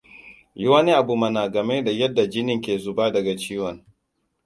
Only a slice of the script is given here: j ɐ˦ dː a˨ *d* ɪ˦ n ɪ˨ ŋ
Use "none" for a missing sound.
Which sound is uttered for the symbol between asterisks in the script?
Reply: d͡ʒ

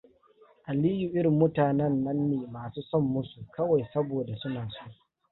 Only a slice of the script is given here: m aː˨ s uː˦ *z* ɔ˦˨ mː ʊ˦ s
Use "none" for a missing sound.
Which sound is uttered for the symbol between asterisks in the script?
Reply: s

